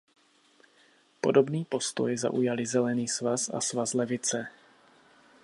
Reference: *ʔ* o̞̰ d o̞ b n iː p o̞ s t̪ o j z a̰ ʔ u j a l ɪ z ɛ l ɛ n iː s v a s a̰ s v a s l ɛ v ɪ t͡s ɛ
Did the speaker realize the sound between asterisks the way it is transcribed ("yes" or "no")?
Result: no